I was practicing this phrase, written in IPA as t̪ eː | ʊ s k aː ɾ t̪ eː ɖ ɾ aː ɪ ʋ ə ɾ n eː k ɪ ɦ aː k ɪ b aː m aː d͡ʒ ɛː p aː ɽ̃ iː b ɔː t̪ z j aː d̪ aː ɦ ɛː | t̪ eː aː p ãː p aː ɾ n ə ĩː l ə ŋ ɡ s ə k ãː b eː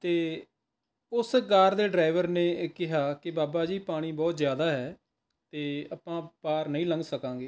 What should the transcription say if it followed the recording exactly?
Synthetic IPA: t̪ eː | ʊ s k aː ɾ d̪ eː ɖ ɾ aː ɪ ʋ ə ɾ n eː k ɪ ɦ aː k ɪ b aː b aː d͡ʒ iː p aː ɽ̃ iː b ɔː t̪ z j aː d̪ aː ɦ ɛː | t̪ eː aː p ãː p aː ɾ n ə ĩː l ə ŋ ɡ s ə k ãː ɡ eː

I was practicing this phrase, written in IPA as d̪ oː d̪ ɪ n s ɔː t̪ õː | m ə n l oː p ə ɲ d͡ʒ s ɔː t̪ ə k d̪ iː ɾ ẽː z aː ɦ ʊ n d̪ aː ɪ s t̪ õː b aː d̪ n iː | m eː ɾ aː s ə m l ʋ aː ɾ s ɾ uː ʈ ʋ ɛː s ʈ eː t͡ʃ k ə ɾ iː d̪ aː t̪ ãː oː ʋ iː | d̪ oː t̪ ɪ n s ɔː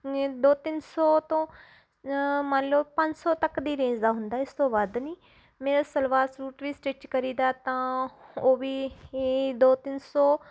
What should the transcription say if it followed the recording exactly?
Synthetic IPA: d̪ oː t̪ ɪ n s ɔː t̪ õː | m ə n l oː p ə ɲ d͡ʒ s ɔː t̪ ə k d̪ iː ɾ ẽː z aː ɦ ʊ n d̪ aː ɪ s t̪ õː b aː d̪ n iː | m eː ɾ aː s ə l ʋ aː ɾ s ɾ uː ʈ ʋ iː s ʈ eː t͡ʃ k ə ɾ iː d̪ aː t̪ ãː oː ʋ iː | d̪ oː t̪ ɪ n s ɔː

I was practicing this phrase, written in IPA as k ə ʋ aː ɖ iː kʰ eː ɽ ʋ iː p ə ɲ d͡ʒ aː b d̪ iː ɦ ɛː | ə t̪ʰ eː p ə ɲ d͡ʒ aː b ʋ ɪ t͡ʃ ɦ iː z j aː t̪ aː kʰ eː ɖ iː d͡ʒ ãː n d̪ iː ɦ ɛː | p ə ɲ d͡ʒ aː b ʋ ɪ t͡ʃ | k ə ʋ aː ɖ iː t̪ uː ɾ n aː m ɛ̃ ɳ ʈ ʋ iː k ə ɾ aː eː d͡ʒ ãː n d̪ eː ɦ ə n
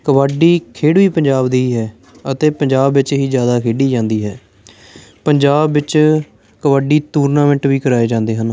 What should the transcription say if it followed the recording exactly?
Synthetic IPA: k ə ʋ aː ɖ iː kʰ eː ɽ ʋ iː p ə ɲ d͡ʒ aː b d̪ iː ɦ ɛː | ə t̪ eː p ə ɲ d͡ʒ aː b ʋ ɪ t͡ʃ ɦ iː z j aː d̪ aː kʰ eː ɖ iː d͡ʒ ãː n d̪ iː ɦ ɛː | p ə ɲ d͡ʒ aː b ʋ ɪ t͡ʃ | k ə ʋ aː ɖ iː t̪ uː ɾ n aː m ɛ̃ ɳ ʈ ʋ iː k ə ɾ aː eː d͡ʒ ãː n d̪ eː ɦ ə n

